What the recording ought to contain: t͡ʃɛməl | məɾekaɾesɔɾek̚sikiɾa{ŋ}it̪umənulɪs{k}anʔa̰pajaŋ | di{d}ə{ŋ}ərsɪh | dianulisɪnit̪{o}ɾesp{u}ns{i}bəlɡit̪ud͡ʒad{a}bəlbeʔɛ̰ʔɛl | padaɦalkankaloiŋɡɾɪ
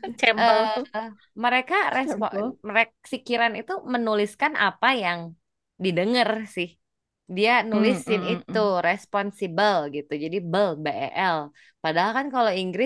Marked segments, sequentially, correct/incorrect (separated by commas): incorrect, correct, correct, correct, incorrect, incorrect, correct, incorrect